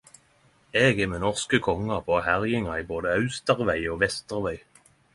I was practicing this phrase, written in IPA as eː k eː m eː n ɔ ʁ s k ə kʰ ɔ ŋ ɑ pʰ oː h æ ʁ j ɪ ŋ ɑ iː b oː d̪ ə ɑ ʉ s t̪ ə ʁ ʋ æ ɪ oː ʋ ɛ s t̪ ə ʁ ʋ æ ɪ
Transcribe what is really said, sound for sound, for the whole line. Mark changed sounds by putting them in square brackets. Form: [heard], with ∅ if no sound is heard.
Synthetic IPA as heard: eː [ɡ] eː m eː n ɔ ʁ s k ə kʰ ɔ ŋ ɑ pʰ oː h æ ʁ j ɪ ŋ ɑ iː b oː d̪ ə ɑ ʉ s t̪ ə ʁ ʋ æ ɪ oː ʋ ɛ s t̪ ə ʁ ʋ æ ɪ